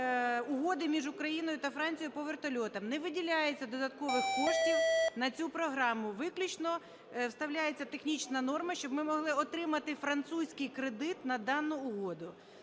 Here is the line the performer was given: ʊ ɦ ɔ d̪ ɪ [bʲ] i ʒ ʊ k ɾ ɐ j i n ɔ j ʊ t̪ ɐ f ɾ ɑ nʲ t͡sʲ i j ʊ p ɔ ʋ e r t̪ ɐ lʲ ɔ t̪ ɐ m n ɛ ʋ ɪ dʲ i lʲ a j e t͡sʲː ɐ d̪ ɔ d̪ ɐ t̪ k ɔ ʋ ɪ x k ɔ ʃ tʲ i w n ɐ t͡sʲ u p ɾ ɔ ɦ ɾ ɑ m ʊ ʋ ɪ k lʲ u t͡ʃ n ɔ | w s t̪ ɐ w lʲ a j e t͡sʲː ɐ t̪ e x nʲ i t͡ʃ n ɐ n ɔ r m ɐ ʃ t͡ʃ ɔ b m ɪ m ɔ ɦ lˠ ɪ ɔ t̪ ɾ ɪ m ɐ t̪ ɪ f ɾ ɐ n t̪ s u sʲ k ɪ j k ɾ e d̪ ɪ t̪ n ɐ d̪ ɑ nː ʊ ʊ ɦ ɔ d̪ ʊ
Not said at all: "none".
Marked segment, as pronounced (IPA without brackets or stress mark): mʲ